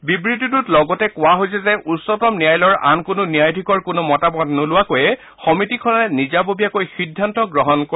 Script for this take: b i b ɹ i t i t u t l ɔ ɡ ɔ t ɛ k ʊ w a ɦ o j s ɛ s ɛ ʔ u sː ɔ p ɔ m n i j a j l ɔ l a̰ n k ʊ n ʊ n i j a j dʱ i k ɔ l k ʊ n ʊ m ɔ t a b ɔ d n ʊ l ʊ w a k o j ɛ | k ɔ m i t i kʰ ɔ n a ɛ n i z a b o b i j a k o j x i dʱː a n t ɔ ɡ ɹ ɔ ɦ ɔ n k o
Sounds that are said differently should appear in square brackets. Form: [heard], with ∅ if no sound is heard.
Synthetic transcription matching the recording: b i b ɹ i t i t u t l ɔ ɡ ɔ t ɛ k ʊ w a ɦ o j s ɛ [z] ɛ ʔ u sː ɔ [t] ɔ m n i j a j l ɔ [ɹ] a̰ n k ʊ n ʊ n i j a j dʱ i k ɔ [ɹ] k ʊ n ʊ m ɔ t a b ɔ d n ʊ l ʊ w a k o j ɛ | [x] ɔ m i t i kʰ ɔ n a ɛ n i z a b o b i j a k o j x i dʱː a n t ɔ ɡ ɹ ɔ ɦ ɔ n k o